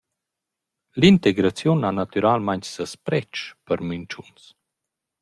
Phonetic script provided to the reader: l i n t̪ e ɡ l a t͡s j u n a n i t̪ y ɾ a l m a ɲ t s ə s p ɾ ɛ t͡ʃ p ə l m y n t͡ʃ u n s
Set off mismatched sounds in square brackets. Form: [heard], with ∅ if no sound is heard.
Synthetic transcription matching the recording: l i n t̪ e ɡ [ɾ] a t͡s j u n a n [a] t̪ y ɾ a l m a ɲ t s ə s p ɾ ɛ t͡ʃ p ə [ɾ] m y n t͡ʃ u n s